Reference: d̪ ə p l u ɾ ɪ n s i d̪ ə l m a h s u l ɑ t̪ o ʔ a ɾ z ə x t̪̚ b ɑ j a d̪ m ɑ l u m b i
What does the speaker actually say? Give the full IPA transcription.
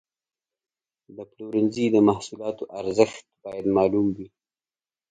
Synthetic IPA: d̪ ə p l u ɾ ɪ n z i d̪ ə m a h s u l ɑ t̪ o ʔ a ɾ z ə x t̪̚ b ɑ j a d̪ m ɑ l u m w i